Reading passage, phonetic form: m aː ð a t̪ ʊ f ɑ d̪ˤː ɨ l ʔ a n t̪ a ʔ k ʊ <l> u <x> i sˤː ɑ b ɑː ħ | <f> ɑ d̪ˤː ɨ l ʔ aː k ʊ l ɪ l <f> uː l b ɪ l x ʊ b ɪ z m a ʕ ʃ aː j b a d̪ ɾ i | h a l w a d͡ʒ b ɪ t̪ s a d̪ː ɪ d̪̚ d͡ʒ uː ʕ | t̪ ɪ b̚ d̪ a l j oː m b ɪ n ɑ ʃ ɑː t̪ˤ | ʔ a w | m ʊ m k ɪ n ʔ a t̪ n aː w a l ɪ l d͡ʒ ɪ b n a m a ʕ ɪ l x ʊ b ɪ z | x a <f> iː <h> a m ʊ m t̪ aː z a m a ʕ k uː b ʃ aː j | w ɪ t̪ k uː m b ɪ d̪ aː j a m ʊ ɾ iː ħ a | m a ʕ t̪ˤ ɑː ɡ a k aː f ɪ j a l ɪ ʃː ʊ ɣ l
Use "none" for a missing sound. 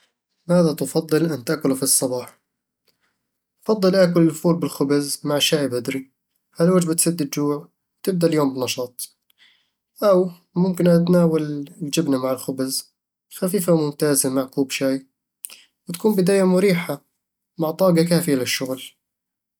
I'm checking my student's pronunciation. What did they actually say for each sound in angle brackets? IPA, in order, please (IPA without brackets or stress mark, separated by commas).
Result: l, f, f, f, f, f